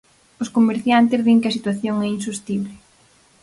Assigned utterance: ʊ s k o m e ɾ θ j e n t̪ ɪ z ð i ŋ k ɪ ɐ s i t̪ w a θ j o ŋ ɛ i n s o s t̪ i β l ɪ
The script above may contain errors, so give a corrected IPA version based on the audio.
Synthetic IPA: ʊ s k o m e ɾ θ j a n t̪ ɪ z ð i ŋ k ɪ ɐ s i t̪ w a θ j o ŋ ɛ i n s u s t̪ i β l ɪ